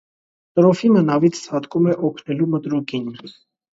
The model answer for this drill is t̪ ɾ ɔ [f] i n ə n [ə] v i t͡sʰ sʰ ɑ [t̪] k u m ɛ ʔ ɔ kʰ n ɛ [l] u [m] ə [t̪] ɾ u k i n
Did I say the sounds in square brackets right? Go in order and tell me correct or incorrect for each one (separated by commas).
correct, incorrect, correct, correct, correct, correct